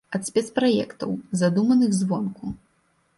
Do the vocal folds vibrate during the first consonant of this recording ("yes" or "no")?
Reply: no